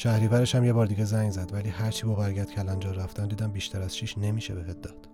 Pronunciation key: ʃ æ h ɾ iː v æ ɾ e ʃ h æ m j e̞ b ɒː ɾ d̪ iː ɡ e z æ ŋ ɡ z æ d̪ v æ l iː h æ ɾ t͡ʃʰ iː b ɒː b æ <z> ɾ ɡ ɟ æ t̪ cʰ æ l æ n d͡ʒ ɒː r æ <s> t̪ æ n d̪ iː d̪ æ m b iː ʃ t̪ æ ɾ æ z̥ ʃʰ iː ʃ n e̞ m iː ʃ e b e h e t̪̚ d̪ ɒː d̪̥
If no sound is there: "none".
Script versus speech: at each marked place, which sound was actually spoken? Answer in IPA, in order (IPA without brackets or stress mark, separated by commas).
none, f